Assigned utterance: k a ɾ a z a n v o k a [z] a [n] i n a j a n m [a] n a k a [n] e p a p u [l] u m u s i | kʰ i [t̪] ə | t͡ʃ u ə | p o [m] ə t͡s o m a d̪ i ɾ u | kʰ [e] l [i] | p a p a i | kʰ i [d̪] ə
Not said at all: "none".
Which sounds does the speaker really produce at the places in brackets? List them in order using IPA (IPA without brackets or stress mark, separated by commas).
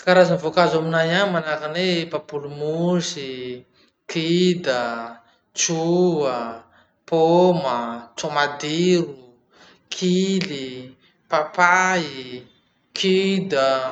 z, m, a, n, l, d̪, m, i, i, d̪